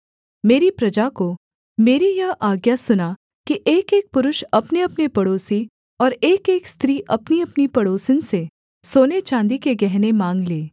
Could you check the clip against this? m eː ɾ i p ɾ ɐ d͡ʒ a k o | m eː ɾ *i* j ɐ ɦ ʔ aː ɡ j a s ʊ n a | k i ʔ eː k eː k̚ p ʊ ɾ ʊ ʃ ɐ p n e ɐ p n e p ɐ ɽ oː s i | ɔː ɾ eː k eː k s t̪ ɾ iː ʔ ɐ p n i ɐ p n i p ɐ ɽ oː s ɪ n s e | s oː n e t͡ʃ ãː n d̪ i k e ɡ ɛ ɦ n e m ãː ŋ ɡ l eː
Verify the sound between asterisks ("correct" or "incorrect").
correct